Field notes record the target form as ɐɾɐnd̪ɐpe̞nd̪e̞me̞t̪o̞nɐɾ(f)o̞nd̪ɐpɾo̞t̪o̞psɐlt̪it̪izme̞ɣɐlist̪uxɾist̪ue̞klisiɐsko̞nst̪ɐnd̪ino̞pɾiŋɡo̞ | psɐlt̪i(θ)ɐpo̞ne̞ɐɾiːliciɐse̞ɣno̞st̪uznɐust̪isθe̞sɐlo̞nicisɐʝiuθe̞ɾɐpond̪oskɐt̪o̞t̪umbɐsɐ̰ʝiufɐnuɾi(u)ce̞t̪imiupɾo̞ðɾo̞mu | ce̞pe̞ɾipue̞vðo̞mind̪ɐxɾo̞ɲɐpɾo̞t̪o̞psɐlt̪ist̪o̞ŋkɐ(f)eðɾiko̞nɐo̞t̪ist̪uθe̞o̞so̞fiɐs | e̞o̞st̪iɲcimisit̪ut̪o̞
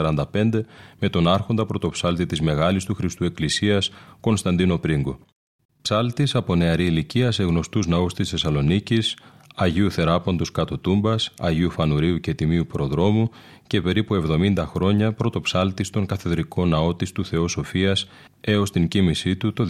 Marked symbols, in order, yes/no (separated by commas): no, no, yes, no